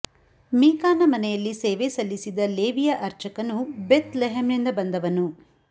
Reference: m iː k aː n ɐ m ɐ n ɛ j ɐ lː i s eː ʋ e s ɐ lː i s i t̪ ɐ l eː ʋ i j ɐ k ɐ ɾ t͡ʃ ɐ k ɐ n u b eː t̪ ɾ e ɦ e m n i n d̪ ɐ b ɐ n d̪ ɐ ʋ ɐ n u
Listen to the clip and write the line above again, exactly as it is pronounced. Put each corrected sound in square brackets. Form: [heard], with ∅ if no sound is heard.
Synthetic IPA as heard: m iː k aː n ɐ m ɐ n ɛ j ɐ lː i s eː ʋ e s ɐ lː i s i [d̪] ɐ l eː ʋ i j ɐ [ʔ] ɐ ɾ t͡ʃ ɐ k ɐ n u b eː t̪ [l] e ɦ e m n i n d̪ ɐ b ɐ n d̪ ɐ ʋ ɐ n u

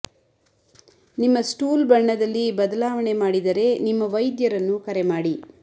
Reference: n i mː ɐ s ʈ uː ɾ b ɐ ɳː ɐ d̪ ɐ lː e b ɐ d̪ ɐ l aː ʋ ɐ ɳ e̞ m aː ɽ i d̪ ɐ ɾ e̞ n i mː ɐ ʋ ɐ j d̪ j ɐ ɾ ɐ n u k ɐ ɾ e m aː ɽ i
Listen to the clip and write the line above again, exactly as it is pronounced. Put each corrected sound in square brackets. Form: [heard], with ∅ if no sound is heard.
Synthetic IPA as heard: n i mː ɐ s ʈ uː [l] b ɐ ɳː ɐ d̪ ɐ lː [i] b ɐ d̪ ɐ l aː ʋ ɐ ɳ e̞ m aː ɽ i d̪ ɐ ɾ e̞ n i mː ɐ ʋ ɐ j d̪ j ɐ ɾ ɐ [nː] u k ɐ ɾ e m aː ɽ i

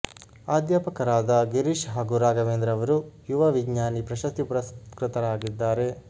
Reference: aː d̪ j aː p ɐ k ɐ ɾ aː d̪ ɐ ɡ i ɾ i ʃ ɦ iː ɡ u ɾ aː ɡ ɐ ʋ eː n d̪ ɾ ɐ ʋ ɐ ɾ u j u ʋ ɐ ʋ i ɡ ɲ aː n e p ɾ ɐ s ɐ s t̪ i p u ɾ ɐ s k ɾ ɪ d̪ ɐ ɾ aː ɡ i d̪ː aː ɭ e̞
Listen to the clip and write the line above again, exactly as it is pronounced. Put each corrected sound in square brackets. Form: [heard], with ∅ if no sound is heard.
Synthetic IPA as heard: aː d̪ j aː p ɐ k ɐ ɾ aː d̪ ɐ ɡ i ɾ i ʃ ɦ [aː] ɡ u ɾ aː ɡ ɐ ʋ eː n d̪ ɾ ɐ ʋ ɐ ɾ u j u ʋ ɐ ʋ i ɡ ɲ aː n [i] p ɾ ɐ [ʃ] ɐ s t̪ i p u ɾ ɐ s k ɾ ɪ [t̪] ɐ ɾ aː ɡ i d̪ː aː [ɾ] e̞

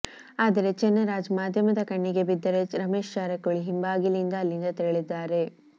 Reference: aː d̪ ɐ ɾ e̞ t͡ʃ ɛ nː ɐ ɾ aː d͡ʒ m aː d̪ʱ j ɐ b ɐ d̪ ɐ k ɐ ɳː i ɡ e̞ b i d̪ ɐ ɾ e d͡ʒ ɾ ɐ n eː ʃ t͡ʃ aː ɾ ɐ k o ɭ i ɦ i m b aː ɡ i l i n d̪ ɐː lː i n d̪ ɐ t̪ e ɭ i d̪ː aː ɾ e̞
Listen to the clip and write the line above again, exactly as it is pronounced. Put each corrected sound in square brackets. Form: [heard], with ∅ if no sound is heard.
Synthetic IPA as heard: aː d̪ ɐ ɾ e̞ t͡ʃ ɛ nː ɐ ɾ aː d͡ʒ m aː d̪ʱ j ɐ [m] ɐ d̪ ɐ k ɐ ɳː i ɡ e̞ b i [d̪ː] ɐ ɾ e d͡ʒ ɾ ɐ [m] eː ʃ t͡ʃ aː ɾ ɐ k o ɭ i ɦ i m b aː ɡ i l i n d̪ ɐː lː i n d̪ ɐ t̪ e ɭ i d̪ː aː ɾ e̞

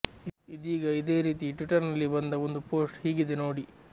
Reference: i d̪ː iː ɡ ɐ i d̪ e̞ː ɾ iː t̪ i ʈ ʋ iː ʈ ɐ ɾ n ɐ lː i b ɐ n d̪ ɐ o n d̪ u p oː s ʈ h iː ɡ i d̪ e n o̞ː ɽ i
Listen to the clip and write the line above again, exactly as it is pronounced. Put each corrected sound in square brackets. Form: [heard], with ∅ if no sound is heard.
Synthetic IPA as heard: i [d̪] iː ɡ ɐ i d̪ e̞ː ɾ iː t̪ i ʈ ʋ [i] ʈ ɐ ɾ n ɐ lː i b ɐ n d̪ ɐ o n d̪ u p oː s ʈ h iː ɡ i d̪ e n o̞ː ɽ i

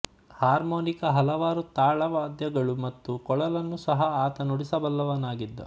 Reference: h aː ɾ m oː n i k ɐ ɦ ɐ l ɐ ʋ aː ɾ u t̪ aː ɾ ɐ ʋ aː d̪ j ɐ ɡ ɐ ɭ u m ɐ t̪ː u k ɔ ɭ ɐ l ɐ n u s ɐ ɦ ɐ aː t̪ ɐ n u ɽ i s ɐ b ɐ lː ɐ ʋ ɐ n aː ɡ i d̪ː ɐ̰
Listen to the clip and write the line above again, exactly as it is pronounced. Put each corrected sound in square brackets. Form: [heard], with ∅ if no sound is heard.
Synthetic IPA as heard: h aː ɾ m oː n i k ɐ ɦ ɐ l ɐ ʋ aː ɾ u t̪ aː [ɭ] ɐ ʋ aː d̪ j ɐ ɡ ɐ ɭ u m ɐ t̪ː u k ɔ ɭ ɐ l ɐ [nː] u s ɐ ɦ ɐ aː t̪ ɐ n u ɽ i s ɐ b ɐ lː ɐ ʋ ɐ n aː ɡ i d̪ː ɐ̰

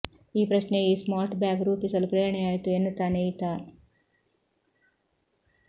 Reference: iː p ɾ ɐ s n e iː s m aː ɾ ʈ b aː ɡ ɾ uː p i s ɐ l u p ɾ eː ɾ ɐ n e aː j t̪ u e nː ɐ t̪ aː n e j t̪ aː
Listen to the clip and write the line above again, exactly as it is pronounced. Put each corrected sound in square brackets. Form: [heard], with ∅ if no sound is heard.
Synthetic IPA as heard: iː p ɾ ɐ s n e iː s m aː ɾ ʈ b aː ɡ ɾ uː p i s ɐ l u p ɾ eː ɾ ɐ [ɳ] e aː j t̪ u e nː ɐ t̪ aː n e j t̪ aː

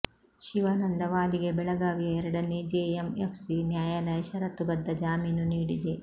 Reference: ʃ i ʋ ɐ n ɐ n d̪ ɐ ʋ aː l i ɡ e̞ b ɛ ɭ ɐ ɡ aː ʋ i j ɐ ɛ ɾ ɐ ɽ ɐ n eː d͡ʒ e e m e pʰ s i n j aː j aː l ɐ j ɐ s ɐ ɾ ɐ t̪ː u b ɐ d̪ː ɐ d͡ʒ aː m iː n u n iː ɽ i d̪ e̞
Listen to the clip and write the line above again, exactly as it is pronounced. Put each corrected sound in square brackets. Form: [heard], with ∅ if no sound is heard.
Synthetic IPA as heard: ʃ i ʋ ɐ n ɐ n d̪ ɐ ʋ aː l i ɡ e̞ b ɛ ɭ ɐ ɡ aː ʋ i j ɐ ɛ ɾ ɐ ɽ ɐ n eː d͡ʒ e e m e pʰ s i n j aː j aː l ɐ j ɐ [ʃ] ɐ ɾ ɐ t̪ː u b ɐ d̪ː ɐ d͡ʒ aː m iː n u n iː ɽ i d̪ e̞

